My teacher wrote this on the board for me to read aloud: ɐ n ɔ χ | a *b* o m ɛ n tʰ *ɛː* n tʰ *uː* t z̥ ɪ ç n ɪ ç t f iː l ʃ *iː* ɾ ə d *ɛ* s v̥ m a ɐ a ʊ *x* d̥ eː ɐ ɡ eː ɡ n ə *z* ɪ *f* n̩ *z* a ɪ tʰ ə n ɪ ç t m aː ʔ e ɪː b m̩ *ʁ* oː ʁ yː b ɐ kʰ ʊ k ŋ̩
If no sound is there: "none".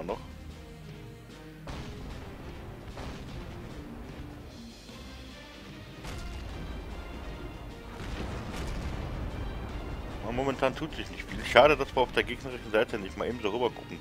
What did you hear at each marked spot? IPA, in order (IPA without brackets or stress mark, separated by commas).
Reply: m, aː, uː, aː, a, f, ʁ, ʃ, z, z